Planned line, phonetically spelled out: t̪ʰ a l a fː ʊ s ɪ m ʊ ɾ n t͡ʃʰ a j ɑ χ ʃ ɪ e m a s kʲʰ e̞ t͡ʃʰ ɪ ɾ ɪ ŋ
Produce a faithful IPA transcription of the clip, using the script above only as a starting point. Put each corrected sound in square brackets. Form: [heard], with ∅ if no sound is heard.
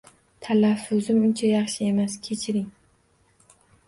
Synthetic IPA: t̪ʰ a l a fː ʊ [z] ɪ m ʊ [∅] n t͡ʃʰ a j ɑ χ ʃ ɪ e m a s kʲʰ e̞ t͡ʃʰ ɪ ɾ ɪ ŋ